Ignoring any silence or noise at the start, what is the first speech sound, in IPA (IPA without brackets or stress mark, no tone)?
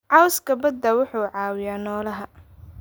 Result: ʕ